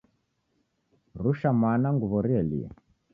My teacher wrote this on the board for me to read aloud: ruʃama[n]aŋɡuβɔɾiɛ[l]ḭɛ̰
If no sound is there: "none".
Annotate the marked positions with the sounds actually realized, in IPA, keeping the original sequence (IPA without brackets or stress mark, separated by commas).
n, l